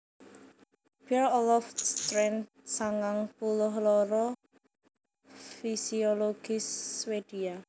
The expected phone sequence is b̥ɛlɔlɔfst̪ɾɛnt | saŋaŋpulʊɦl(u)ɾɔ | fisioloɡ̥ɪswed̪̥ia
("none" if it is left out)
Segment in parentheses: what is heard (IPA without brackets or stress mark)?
ɔ